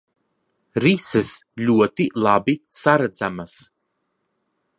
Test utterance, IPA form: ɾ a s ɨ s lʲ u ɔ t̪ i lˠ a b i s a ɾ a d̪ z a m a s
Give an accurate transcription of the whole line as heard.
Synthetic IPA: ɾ i s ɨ s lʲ u ɔ t̪ i lˠ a b i s a ɾ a d̪ z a m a s